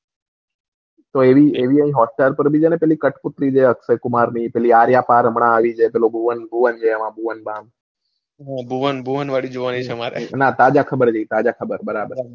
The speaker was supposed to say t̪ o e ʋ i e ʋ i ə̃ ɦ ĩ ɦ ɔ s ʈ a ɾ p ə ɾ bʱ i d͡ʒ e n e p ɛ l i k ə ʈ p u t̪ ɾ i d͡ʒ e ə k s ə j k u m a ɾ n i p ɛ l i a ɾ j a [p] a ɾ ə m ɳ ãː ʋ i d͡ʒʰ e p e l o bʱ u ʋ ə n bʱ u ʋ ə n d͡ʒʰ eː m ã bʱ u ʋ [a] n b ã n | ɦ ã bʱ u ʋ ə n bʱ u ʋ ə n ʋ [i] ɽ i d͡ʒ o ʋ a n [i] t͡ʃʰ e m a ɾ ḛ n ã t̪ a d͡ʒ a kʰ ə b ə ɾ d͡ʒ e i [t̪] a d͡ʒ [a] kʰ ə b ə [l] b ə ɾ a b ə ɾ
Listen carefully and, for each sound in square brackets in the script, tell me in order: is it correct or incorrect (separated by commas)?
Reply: correct, incorrect, incorrect, correct, correct, correct, incorrect